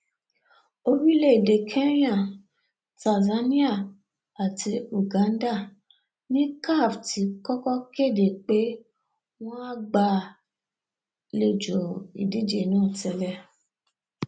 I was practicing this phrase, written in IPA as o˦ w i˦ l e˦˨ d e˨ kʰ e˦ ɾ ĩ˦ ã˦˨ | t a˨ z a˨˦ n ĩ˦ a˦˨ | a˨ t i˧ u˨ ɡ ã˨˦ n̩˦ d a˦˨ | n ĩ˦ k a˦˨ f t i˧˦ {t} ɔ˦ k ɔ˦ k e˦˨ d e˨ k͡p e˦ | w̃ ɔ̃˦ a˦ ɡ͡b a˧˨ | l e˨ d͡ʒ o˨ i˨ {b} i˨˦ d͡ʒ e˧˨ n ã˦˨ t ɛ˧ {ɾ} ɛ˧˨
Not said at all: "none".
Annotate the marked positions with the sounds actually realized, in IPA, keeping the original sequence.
k, d, l

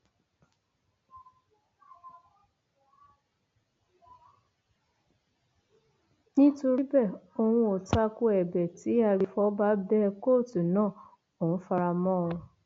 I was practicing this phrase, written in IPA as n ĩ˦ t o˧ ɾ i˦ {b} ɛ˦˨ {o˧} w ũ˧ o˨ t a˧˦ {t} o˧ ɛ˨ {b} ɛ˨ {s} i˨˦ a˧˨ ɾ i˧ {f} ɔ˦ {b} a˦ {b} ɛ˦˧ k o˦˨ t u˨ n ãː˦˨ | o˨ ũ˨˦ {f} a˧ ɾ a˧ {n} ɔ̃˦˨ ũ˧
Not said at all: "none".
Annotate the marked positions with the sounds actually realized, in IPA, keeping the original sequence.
b, o˧, k, b, t, f, b, b, f, m

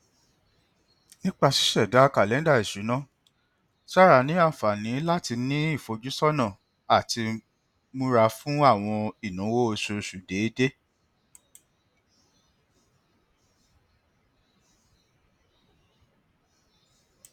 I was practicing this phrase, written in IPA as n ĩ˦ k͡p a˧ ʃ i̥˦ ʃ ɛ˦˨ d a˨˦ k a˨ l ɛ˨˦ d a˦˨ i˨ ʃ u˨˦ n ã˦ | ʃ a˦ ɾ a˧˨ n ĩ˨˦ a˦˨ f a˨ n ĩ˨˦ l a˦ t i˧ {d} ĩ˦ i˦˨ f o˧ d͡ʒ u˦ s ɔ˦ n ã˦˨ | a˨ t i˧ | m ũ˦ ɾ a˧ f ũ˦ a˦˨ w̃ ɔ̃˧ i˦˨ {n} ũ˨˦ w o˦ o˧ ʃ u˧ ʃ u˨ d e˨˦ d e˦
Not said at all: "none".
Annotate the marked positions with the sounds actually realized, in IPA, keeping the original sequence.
n, n

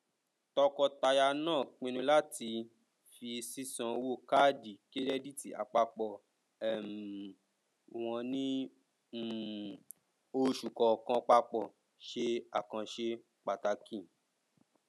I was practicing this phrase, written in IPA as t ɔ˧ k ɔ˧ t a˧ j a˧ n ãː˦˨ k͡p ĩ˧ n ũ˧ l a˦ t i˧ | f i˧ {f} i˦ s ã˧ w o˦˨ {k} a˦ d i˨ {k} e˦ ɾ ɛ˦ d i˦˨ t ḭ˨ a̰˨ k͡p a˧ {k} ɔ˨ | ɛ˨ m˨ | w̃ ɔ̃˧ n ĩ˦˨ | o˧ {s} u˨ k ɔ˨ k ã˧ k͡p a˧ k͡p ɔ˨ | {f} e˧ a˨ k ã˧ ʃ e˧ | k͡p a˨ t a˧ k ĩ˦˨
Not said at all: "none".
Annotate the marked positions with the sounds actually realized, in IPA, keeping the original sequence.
s, k, k, k͡p, ʃ, ʃ

